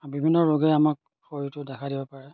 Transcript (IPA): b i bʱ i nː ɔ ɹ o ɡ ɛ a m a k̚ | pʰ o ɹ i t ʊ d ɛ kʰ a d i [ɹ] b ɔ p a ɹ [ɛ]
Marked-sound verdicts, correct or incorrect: incorrect, correct

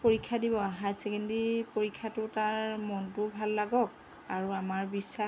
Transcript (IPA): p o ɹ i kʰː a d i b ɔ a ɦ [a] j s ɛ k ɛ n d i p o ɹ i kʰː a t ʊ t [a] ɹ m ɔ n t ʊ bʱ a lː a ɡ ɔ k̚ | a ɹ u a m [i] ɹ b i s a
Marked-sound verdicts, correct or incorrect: correct, correct, incorrect

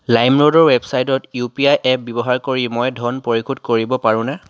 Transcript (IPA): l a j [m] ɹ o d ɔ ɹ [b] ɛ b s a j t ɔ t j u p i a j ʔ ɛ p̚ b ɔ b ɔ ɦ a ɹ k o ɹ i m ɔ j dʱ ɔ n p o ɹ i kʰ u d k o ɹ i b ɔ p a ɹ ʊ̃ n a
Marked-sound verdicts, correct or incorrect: correct, incorrect

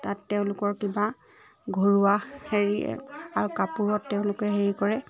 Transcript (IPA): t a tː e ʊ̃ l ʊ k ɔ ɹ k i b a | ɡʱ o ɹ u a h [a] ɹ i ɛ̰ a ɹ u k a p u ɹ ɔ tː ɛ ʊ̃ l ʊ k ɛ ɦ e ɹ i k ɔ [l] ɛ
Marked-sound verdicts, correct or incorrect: incorrect, incorrect

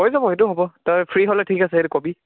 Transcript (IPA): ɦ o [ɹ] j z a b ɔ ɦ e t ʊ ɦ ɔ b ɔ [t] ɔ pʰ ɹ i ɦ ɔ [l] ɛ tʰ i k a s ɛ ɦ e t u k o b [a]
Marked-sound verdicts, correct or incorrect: incorrect, correct, correct, incorrect

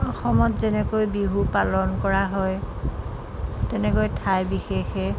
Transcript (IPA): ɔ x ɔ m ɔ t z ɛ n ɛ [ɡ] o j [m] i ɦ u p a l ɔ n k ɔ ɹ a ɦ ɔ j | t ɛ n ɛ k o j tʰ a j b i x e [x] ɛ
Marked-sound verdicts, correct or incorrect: incorrect, incorrect, correct

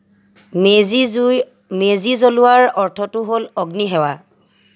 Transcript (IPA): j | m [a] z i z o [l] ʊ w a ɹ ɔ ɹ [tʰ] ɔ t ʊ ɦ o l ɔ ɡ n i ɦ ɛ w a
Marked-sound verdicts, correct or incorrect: incorrect, correct, correct

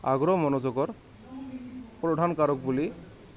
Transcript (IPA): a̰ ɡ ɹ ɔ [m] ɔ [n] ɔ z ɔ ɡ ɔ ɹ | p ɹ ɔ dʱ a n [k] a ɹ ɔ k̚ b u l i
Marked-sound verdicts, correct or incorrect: correct, correct, correct

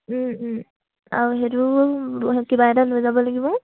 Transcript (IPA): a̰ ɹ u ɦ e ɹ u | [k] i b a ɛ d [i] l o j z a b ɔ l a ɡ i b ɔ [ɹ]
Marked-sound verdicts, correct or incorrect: correct, incorrect, incorrect

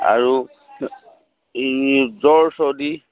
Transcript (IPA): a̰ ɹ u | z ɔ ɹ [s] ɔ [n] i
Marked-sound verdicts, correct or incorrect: correct, incorrect

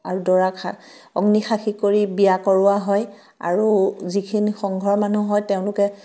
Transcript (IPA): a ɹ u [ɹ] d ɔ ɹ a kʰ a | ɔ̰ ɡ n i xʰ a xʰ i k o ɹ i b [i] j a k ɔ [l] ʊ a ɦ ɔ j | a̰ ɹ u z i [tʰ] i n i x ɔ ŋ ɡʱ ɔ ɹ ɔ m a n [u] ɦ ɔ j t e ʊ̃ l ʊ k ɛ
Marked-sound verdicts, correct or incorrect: incorrect, correct, incorrect, incorrect, correct

